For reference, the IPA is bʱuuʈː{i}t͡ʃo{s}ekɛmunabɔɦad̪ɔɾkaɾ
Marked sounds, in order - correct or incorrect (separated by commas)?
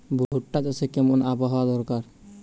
incorrect, correct